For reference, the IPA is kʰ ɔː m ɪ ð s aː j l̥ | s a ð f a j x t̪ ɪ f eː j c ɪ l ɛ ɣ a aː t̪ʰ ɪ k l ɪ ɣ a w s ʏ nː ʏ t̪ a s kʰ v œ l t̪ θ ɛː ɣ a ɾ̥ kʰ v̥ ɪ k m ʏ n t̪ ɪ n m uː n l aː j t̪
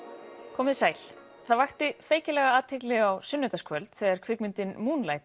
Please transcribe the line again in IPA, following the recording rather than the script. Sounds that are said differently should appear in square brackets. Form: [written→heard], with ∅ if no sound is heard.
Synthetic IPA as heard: kʰ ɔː m ɪ ð s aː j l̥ | [s→θ] a ð [f→v] a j x t̪ ɪ f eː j c ɪ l ɛ ɣ a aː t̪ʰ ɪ k l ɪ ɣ a w s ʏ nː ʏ t̪ a s kʰ v œ l t̪ θ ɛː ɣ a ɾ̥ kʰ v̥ ɪ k m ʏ n t̪ ɪ n m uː n l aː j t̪